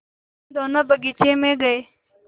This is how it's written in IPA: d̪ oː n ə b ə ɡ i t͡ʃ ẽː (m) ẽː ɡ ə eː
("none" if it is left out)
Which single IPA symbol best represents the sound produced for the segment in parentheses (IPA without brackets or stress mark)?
m